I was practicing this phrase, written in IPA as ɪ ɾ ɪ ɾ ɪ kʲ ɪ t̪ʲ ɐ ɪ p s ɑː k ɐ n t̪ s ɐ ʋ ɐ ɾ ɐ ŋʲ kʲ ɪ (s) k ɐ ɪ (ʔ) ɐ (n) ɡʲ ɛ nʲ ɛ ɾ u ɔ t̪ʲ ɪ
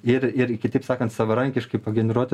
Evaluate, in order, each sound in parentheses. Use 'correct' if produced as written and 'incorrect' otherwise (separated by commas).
incorrect, incorrect, incorrect